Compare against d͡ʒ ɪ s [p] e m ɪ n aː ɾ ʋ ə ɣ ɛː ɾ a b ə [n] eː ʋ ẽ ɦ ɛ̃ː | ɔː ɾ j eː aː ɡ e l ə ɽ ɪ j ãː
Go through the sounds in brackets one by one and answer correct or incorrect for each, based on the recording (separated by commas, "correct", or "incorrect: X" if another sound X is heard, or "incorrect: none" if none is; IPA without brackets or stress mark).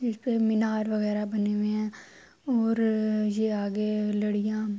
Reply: correct, correct